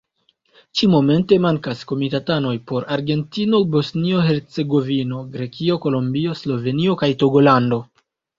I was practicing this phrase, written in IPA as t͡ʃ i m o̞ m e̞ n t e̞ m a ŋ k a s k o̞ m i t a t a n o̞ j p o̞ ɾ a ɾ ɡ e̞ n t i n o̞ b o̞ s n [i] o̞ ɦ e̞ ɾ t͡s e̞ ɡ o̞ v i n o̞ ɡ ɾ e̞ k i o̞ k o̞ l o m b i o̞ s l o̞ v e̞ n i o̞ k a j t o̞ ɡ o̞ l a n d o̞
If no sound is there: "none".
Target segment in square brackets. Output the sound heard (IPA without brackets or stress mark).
i